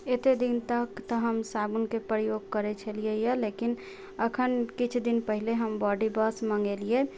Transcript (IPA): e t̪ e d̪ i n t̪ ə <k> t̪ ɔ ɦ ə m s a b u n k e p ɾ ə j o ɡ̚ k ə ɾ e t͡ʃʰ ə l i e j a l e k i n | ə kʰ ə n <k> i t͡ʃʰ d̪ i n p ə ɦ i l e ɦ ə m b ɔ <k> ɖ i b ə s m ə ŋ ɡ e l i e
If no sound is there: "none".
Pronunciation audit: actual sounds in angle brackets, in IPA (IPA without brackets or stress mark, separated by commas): k, k, none